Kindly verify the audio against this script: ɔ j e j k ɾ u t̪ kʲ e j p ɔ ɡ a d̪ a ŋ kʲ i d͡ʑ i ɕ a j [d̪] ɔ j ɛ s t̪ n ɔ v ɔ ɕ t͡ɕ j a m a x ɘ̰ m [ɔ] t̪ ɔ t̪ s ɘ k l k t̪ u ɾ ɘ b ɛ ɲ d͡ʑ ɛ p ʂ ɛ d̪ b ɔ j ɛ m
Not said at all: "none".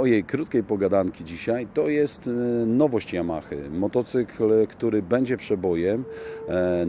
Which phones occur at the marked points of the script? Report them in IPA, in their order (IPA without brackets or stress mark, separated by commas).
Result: t̪, ɔ